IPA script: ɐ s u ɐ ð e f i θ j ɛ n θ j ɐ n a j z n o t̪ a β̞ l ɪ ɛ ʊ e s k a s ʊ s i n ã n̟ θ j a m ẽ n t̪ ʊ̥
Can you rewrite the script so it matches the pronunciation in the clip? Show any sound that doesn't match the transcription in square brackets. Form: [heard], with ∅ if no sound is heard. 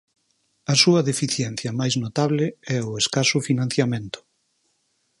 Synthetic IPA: ɐ s u ɐ ð e f i θ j ɛ n θ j ɐ [m] a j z n o t̪ a β̞ l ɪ ɛ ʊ e s k a s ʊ [f] i n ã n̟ θ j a m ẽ n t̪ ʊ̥

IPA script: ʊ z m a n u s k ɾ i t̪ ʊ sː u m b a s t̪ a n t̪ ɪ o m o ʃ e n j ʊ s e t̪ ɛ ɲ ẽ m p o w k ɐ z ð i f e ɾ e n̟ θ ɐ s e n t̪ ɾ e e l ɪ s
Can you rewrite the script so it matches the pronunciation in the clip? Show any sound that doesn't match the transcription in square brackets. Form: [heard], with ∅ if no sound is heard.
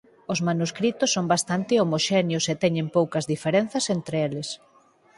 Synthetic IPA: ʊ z m a n u s k ɾ i t̪ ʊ sː [o] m b a s t̪ a n t̪ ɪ o m o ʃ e n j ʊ s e t̪ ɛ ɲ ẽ m p o w k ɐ z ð i f e ɾ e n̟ θ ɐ s e n t̪ ɾ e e l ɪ s

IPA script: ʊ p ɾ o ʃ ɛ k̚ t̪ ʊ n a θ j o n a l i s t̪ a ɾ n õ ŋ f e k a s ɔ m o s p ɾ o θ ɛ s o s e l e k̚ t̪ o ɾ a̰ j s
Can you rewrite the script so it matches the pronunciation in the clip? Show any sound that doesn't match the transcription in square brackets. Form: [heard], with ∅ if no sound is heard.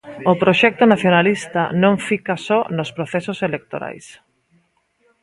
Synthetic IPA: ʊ p ɾ o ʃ ɛ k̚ t̪ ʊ n a θ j o n a l i s t̪ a [∅] n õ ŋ f [i] k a s ɔ [n] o s p ɾ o θ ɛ s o s e l e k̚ t̪ o ɾ a̰ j s

